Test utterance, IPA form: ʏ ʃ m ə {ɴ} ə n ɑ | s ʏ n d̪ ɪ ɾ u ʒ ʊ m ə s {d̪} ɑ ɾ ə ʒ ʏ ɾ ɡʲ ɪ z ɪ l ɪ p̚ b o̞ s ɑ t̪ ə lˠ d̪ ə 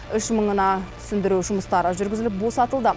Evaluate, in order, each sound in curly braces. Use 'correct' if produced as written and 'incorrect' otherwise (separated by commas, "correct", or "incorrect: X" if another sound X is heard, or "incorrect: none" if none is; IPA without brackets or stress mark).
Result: correct, incorrect: t̪